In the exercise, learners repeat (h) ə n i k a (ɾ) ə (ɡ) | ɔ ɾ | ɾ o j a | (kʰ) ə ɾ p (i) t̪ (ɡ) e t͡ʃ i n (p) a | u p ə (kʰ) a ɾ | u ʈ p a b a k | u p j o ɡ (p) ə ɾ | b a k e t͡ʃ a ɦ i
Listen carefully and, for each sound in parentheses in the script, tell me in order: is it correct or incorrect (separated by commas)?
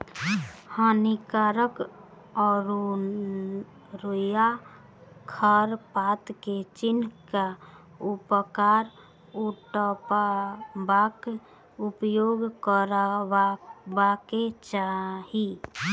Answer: correct, correct, incorrect, correct, incorrect, incorrect, incorrect, incorrect, incorrect